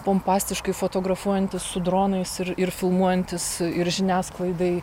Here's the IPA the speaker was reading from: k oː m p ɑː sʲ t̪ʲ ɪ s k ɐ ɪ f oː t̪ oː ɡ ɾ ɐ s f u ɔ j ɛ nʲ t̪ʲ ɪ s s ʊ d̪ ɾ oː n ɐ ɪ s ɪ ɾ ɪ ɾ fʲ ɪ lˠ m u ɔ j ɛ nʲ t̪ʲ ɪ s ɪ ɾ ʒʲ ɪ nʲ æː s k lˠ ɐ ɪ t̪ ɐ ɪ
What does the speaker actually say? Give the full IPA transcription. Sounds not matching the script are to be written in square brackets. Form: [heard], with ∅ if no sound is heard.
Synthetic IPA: [p] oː m p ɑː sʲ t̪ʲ ɪ [ʃ] k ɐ ɪ f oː t̪ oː ɡ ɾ ɐ [∅] f u ɔ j ɛ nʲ t̪ʲ ɪ s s ʊ d̪ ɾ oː n ɐ ɪ s ɪ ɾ ɪ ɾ fʲ ɪ lˠ m u ɔ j ɛ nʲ t̪ʲ ɪ s ɪ ɾ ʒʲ ɪ nʲ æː s k lˠ ɐ ɪ [d̪] ɐ ɪ